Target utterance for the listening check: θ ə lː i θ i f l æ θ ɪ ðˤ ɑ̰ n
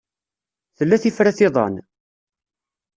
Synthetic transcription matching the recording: θ ə lː æ θ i f ɾ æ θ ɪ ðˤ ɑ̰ n